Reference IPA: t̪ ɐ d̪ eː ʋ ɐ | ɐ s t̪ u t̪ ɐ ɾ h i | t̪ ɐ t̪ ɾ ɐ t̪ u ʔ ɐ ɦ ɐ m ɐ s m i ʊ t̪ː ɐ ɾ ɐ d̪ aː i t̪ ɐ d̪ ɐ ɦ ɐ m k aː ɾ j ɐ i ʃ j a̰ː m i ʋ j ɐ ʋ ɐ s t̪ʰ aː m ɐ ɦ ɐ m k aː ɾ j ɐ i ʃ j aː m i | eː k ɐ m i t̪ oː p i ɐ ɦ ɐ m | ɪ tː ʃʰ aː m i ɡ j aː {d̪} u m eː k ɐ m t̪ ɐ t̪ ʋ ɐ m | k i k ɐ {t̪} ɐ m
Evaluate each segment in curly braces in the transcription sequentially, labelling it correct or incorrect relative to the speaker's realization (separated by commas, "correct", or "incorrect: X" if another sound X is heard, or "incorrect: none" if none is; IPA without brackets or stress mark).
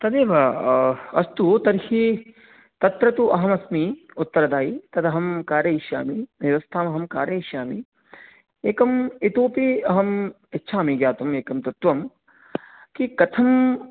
incorrect: t̪, incorrect: t̪ʰ